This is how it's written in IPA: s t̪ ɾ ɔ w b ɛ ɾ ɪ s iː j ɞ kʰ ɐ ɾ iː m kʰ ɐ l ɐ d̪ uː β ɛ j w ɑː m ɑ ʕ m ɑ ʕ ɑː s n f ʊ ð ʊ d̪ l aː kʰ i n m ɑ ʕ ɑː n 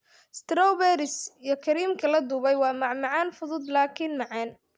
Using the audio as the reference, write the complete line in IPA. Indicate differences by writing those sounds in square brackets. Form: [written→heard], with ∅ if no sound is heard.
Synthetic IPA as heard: s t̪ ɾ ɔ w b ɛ ɾ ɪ s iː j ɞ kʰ ɐ ɾ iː m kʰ ɐ l ɐ d̪ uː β ɛ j w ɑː m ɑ ʕ m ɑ ʕ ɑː [s→∅] n f ʊ ð ʊ d̪ l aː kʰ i n m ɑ ʕ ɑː n

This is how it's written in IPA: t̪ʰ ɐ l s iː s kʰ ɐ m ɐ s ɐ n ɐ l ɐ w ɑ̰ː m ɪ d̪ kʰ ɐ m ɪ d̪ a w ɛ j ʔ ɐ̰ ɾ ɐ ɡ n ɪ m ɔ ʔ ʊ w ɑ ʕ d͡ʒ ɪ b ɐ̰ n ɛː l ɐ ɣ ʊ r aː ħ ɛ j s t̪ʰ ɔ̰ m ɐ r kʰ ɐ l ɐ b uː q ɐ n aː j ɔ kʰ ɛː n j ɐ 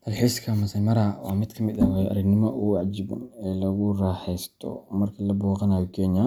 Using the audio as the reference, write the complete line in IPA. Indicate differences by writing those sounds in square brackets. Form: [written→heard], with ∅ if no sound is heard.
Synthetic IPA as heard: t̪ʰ ɐ l [s→ħ] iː s kʰ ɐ m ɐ s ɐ [n→m] ɐ [l→ɾ] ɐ w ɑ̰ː m ɪ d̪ kʰ ɐ m ɪ d̪ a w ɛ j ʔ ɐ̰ ɾ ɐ ɡ n ɪ m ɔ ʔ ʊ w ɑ ʕ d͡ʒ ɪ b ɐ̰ n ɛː l ɐ ɣ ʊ r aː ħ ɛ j s t̪ʰ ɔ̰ m ɐ r kʰ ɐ l ɐ b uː q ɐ n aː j ɔ kʰ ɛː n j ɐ

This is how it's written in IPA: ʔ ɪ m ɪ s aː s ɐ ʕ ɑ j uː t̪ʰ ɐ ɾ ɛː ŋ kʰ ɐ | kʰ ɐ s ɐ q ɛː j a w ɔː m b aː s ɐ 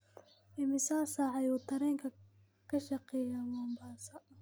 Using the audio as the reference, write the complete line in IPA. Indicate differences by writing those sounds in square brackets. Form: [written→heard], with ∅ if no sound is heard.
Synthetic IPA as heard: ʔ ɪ m ɪ s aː s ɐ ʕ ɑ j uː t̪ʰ ɐ ɾ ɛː ŋ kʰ ɐ | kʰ ɐ [s→ʃ] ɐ q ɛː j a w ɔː m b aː s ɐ

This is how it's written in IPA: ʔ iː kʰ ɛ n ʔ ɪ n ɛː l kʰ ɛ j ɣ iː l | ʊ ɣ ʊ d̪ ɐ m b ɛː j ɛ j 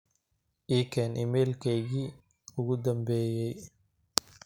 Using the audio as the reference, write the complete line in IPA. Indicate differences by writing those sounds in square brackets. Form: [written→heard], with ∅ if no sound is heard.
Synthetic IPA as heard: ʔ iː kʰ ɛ n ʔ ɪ [n→m] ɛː l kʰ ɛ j ɣ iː [l→∅] | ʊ ɣ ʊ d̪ ɐ m b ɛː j ɛ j

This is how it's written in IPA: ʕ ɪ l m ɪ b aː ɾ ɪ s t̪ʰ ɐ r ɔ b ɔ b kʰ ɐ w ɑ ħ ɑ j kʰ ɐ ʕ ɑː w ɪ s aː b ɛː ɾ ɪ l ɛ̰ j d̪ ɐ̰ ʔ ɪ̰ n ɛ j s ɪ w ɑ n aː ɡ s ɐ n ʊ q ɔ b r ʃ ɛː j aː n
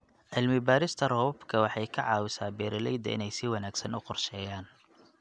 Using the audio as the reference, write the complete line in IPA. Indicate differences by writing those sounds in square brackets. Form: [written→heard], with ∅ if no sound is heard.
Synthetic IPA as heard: ʕ ɪ l m ɪ b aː ɾ ɪ s t̪ʰ ɐ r ɔ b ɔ b kʰ ɐ w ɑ ħ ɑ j kʰ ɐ ʕ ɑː w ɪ s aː b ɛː ɾ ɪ l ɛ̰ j d̪ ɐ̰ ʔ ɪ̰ n ɛ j s ɪ w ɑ n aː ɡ s ɐ n ʊ q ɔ [b→∅] r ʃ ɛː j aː n

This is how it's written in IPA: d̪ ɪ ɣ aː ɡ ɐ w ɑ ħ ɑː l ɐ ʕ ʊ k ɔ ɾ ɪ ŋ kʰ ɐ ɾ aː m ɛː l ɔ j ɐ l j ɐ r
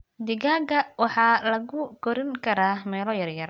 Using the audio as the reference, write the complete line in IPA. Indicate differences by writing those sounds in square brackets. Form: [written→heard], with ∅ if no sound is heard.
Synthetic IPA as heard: d̪ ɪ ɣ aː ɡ ɐ w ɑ ħ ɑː l ɐ [ʕ→ɣ] ʊ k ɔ ɾ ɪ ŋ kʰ ɐ ɾ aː m ɛː l ɔ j ɐ [l→r] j ɐ r

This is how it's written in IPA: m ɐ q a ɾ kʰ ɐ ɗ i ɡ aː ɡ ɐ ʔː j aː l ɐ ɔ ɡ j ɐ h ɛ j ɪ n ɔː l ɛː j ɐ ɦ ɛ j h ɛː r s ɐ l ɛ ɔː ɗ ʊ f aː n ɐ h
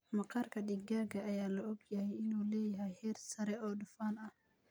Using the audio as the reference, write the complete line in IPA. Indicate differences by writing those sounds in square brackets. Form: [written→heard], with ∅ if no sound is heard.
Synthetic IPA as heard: m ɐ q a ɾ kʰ ɐ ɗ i ɡ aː ɡ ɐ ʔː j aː l ɐ ɔ ɡ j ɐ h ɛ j ɪ n [ɔː→uː] l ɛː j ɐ ɦ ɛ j h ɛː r s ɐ [l→ɾ] ɛ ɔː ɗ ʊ f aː n ɐ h

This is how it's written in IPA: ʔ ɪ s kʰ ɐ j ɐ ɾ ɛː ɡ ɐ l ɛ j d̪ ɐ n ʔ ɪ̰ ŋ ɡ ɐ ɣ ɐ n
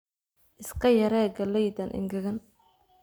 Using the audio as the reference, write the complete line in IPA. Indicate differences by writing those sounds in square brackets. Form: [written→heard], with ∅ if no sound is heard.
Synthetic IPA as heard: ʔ ɪ s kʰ ɐ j ɐ ɾ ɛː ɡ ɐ l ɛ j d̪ ɐ n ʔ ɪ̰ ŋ ɡ ɐ ɣ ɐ n

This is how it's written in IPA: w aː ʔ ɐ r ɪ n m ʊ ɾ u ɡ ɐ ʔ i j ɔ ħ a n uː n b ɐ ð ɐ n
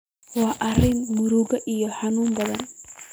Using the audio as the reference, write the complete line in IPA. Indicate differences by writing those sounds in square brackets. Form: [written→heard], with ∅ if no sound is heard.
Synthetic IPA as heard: w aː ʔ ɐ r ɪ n m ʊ ɾ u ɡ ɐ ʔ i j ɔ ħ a n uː [n→m] b ɐ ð ɐ n

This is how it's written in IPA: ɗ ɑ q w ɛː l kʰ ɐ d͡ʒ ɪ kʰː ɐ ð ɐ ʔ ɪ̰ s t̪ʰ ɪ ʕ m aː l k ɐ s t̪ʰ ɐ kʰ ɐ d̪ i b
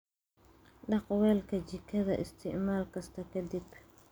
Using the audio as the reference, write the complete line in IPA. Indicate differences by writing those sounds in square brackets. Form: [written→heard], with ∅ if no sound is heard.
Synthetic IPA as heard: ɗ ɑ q w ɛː l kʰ ɐ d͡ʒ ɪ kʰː ɐ ð ɐ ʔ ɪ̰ s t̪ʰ ɪ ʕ m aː l k ɐ s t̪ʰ ɐ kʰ ɐ d̪ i b

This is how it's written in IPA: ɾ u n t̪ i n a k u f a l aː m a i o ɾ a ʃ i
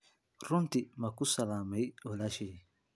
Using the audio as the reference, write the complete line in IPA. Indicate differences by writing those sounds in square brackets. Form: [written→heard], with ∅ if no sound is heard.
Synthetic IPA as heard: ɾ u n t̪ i [n→m] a k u [f→s] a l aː m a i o [ɾ→l] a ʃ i

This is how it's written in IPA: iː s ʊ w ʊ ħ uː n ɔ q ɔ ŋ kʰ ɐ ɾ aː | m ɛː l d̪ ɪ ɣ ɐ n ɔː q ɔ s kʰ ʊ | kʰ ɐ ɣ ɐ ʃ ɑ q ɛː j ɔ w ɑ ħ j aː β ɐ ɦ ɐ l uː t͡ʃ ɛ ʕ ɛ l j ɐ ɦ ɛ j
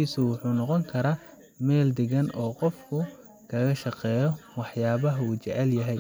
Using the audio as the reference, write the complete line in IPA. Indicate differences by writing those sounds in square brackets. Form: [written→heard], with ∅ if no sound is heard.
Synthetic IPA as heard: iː s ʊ w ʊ ħ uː n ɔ q ɔ ŋ kʰ ɐ ɾ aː | m ɛː l d̪ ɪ ɣ ɐ n ɔː q ɔ [s→f] kʰ ʊ | kʰ ɐ ɣ ɐ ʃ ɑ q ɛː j ɔ w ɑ ħ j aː β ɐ ɦ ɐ [l→∅] uː t͡ʃ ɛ ʕ ɛ l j ɐ ɦ ɛ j

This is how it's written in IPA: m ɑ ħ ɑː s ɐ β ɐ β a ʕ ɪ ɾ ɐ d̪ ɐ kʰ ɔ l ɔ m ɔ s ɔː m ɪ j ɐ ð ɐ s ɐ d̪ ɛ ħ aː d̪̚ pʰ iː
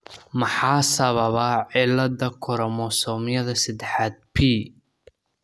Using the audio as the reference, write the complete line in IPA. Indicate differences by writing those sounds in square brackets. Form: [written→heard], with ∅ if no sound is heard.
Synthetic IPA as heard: m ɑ ħ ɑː s ɐ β ɐ β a ʕ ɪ [ɾ→l] ɐ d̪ ɐ kʰ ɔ [l→ɾ] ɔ m ɔ s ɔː m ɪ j ɐ ð ɐ s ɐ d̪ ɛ ħ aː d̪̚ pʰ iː

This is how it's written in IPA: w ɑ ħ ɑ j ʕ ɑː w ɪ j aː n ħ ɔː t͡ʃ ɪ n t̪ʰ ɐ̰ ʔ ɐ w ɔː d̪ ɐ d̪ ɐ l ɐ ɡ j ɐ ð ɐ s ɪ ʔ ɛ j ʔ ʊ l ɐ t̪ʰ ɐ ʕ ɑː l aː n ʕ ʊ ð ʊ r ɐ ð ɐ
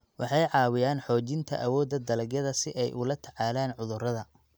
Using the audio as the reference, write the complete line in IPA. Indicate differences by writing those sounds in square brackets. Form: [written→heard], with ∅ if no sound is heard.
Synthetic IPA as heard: w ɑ ħ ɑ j ʕ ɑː w ɪ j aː n ħ ɔː t͡ʃ ɪ n t̪ʰ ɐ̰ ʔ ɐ w ɔː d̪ ɐ d̪ ɐ l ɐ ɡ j ɐ ð ɐ s ɪ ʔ ɛ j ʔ ʊ l ɐ t̪ʰ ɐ ʕ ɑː l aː n ʕ ʊ ð ʊ r ɐ ð ɐ

